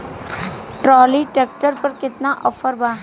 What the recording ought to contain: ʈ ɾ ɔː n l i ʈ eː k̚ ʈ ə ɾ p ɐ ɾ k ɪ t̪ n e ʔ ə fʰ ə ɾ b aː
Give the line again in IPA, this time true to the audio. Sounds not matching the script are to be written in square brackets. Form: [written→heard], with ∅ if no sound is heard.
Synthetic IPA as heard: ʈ ɾ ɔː [n→∅] l i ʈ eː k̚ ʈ ə ɾ p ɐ ɾ k ɪ t̪ n [e→a] ʔ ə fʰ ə ɾ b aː